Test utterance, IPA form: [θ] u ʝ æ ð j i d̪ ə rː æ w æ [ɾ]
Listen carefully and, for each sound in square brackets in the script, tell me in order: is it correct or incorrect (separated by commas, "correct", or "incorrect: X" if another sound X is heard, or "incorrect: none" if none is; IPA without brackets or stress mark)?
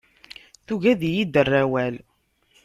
correct, incorrect: l